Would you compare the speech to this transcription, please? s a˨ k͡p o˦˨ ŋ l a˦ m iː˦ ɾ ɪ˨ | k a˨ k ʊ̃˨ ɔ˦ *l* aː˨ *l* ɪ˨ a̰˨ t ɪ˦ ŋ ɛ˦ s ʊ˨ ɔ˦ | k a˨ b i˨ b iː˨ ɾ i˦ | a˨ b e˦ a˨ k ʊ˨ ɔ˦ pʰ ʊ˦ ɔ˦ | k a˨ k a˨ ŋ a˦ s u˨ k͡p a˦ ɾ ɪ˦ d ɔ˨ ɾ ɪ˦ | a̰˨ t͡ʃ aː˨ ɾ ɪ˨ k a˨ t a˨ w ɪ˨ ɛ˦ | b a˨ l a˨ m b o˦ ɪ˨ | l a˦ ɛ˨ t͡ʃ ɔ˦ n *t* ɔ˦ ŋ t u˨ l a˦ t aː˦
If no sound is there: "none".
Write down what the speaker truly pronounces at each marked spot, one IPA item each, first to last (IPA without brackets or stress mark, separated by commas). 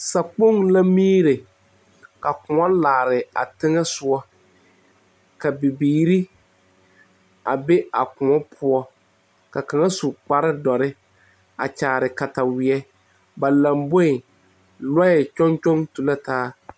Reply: l, ɾ, t͡ʃ